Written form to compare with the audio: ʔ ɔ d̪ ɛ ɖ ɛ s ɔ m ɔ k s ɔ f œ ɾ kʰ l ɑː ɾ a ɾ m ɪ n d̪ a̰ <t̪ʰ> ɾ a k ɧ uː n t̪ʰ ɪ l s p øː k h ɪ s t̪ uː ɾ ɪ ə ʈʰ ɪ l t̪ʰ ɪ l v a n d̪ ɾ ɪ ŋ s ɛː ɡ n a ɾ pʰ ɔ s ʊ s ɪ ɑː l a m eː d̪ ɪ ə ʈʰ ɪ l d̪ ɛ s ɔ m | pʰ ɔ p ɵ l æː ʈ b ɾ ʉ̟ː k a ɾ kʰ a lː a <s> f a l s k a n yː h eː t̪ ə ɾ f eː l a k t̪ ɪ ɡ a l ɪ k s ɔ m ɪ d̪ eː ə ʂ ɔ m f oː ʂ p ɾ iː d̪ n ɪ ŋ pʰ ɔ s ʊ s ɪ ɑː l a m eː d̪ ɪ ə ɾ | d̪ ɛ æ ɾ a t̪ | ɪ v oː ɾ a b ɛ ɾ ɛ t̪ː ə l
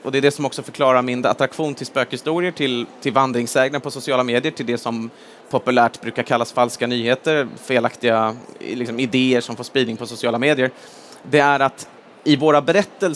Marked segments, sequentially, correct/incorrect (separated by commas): incorrect, correct